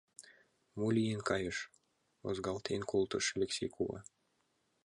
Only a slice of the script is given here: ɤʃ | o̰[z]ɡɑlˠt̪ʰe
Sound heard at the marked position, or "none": z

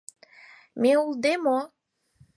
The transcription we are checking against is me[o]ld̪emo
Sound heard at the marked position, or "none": u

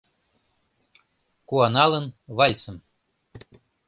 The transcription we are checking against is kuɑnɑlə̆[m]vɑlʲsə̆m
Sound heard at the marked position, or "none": n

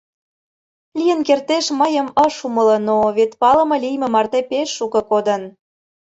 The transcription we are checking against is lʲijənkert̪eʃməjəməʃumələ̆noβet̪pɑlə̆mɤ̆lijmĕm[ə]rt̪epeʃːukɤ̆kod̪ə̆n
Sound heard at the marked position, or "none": ɑ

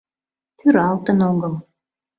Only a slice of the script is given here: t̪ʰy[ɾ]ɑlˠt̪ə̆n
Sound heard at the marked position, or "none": ɾ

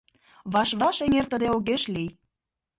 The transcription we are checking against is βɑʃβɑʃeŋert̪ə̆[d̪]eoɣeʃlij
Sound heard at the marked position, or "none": d̪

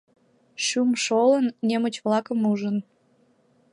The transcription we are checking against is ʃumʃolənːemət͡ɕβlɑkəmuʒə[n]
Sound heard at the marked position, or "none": n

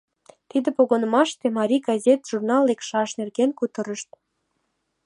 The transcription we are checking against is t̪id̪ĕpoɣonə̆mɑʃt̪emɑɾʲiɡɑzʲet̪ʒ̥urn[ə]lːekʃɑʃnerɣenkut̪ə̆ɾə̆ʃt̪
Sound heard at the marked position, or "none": ɑ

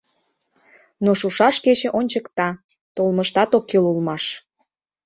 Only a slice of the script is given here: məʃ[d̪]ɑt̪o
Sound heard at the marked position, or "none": t̪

